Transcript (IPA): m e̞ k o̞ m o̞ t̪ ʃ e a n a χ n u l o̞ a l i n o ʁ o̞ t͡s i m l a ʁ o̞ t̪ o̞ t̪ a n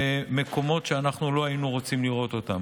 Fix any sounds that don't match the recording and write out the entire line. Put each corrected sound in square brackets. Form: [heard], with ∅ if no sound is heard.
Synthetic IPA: m e̞ k o̞ m o̞ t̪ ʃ e a n a χ n u l o̞ a [∅] i n [u] ʁ o̞ t͡s i m l [i] ʁ o̞ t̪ o̞ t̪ a [m]